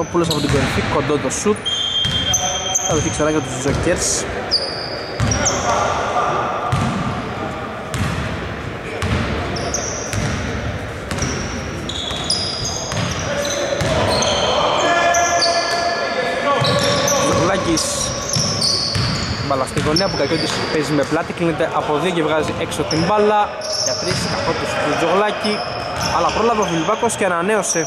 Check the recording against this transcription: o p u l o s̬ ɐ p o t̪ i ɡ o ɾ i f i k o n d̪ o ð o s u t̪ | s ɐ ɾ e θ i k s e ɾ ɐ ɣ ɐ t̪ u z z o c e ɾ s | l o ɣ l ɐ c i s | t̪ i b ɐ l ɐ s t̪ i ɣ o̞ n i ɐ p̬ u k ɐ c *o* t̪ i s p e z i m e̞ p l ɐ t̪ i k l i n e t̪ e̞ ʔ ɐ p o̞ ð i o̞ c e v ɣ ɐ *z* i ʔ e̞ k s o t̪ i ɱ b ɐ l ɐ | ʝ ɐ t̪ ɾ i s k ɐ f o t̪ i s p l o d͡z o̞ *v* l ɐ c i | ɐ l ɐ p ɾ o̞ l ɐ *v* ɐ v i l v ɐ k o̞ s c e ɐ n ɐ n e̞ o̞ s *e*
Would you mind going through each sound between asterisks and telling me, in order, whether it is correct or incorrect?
correct, correct, incorrect: ɣ, correct, correct

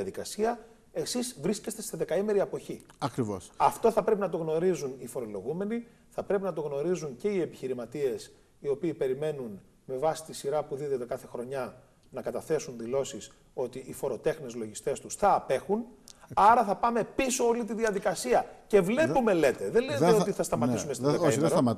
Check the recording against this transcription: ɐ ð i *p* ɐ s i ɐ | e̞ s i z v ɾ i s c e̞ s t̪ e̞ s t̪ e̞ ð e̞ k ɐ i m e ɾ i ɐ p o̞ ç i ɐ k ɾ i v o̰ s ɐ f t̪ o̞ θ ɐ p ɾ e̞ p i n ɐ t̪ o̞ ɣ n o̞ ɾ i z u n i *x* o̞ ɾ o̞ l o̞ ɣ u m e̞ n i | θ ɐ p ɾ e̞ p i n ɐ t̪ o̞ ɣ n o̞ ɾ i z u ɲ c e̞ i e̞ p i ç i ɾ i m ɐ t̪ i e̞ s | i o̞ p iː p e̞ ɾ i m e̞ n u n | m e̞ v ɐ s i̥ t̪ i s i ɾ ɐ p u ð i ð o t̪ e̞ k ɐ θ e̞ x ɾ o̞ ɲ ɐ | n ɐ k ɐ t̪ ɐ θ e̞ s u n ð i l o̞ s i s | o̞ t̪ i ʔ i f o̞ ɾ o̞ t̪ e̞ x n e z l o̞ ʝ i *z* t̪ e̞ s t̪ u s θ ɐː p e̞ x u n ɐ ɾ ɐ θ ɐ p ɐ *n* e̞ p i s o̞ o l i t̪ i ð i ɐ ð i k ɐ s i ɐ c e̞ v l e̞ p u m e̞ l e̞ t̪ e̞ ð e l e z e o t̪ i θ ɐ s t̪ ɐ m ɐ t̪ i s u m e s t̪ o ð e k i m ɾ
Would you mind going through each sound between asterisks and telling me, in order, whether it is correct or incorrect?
incorrect: k, incorrect: f, incorrect: s, incorrect: m

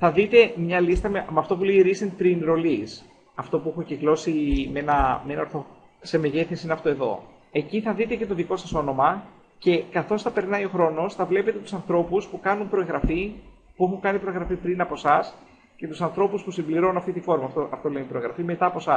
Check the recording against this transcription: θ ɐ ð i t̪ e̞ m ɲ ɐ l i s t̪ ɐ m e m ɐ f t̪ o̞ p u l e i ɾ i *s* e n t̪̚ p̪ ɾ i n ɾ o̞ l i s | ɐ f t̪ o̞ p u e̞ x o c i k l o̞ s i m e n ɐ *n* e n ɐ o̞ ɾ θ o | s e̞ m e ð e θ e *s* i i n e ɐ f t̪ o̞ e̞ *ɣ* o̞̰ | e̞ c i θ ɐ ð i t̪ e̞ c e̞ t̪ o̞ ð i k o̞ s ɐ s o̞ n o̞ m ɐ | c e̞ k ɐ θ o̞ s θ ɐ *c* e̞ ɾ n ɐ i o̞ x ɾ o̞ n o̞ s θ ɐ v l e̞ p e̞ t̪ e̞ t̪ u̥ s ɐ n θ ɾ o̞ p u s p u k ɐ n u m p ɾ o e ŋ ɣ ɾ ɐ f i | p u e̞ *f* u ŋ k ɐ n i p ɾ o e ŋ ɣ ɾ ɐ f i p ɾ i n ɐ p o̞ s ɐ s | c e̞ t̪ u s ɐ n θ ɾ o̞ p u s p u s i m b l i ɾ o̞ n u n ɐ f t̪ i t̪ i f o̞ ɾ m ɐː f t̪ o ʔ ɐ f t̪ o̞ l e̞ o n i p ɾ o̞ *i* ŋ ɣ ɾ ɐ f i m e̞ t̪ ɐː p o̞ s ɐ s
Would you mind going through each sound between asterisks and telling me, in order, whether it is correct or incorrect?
correct, incorrect: m, correct, incorrect: ð, incorrect: p, incorrect: x, incorrect: e

